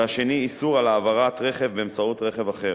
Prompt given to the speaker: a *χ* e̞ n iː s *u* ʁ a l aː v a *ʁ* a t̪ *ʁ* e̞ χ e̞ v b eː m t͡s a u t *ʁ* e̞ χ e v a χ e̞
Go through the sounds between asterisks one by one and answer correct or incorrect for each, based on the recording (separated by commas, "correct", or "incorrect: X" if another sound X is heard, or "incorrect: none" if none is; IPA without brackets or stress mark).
incorrect: ʃ, correct, correct, correct, correct